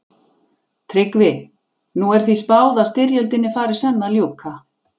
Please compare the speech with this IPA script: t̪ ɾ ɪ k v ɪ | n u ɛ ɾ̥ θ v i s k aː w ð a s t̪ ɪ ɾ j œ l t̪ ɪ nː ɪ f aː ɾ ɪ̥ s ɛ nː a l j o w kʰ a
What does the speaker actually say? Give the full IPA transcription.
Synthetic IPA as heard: t̪ʰ ɾ ɪ k v ɪ | n u ɛ ɾ̥ θ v i s p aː w ð a s t̪ ɪ ɾ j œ l t̪ ɪ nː ɪ f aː ɾ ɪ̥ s ɛ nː a l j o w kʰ a